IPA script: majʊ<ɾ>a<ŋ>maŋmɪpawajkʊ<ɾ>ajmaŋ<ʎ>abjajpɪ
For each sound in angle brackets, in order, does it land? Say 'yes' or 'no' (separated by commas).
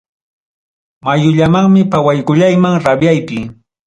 no, no, no, no